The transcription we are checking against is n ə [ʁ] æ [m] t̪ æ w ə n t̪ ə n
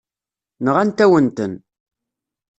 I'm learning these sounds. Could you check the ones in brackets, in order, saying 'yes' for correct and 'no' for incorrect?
yes, no

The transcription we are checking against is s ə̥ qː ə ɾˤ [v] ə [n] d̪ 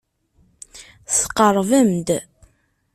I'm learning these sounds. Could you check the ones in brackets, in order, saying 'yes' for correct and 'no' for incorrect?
yes, no

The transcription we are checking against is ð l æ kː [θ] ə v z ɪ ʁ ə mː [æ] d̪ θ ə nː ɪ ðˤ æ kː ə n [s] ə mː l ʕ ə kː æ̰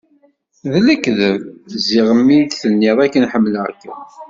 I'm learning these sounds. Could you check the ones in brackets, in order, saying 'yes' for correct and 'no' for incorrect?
no, no, no

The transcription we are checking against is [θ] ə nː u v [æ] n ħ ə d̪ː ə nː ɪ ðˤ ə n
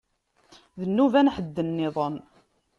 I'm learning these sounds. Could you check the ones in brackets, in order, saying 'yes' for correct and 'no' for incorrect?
no, yes

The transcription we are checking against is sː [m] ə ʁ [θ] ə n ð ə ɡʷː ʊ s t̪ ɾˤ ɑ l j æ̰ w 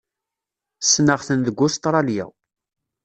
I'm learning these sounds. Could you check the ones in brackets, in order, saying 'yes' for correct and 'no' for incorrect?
no, yes

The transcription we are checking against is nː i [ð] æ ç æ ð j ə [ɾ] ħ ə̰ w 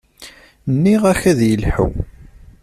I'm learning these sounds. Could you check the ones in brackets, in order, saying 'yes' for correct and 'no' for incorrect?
no, no

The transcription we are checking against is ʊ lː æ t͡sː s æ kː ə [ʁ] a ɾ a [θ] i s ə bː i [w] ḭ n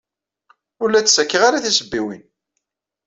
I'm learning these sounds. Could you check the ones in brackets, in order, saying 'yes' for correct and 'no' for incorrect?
yes, yes, yes

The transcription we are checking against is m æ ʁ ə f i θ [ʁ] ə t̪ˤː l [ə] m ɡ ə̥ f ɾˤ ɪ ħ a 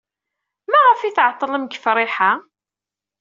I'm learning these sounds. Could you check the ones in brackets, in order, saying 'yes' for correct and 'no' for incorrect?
no, yes

